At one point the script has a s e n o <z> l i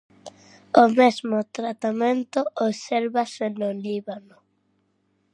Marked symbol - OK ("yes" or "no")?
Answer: no